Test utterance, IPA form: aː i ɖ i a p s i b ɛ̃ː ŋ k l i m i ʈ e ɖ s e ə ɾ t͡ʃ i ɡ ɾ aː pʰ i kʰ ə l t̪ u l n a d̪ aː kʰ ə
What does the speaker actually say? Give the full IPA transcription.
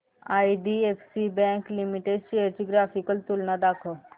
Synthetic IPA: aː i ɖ i e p s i b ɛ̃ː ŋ k l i m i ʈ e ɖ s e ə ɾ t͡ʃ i ɡ ɾ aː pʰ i k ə l t̪ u l n a d̪ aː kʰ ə